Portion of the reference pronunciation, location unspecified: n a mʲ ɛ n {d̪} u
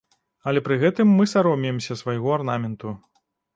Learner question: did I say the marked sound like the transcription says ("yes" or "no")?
no